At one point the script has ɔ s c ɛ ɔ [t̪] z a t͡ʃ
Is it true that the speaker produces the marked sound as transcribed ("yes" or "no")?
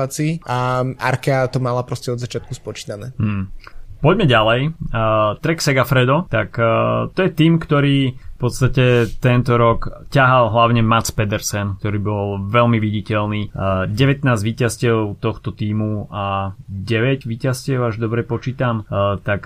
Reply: no